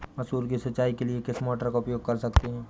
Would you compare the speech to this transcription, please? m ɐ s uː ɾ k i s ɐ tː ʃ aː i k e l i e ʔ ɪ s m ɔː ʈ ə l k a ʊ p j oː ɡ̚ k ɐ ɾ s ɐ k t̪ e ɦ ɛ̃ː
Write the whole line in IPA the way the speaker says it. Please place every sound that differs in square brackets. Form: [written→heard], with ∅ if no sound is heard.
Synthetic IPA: m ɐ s uː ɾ k i s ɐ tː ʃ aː i k e l i e [ʔ→k] ɪ s m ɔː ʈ ə [l→ɾ] k a ʊ p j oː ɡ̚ k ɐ ɾ s ɐ k t̪ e ɦ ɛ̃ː